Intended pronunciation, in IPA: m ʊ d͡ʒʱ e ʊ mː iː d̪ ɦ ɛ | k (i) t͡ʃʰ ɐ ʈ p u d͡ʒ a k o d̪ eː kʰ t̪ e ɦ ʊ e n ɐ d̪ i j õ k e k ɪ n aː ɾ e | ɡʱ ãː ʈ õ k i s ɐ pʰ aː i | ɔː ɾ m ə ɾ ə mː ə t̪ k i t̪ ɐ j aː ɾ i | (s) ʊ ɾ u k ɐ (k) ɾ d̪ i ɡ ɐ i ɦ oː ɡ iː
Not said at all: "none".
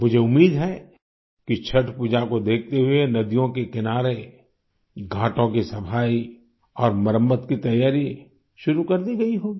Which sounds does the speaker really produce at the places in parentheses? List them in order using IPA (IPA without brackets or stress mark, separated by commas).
i, ʃ, none